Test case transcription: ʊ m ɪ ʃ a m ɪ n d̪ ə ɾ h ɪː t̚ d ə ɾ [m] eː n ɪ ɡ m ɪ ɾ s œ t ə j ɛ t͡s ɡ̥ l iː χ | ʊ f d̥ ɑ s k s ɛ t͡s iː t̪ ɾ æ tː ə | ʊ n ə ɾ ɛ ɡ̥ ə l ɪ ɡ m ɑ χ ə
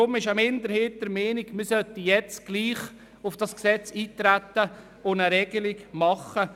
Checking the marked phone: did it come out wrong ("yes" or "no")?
no